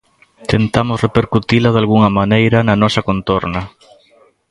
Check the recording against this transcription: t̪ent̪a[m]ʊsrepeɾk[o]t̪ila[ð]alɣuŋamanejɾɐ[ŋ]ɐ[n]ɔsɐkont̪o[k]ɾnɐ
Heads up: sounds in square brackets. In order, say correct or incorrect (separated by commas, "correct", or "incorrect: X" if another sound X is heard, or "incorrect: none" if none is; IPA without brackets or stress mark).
correct, incorrect: u, correct, incorrect: n, correct, incorrect: none